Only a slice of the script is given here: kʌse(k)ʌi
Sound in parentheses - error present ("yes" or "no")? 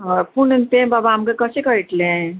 no